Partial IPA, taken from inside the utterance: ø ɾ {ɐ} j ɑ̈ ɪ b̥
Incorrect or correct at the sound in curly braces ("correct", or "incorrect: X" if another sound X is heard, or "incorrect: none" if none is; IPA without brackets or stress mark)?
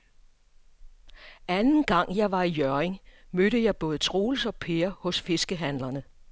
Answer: incorrect: ə